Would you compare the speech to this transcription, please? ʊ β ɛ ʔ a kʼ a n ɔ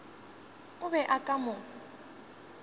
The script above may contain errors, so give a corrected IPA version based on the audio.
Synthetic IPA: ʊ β ɛ ʔ a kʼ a m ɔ